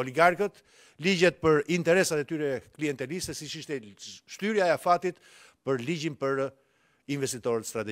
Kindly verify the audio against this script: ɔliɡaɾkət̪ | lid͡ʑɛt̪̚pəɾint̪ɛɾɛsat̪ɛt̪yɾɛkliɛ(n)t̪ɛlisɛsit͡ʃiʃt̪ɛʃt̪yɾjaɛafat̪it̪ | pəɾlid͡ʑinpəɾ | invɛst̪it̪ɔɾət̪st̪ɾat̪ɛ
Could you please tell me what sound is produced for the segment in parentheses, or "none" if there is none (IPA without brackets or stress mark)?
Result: n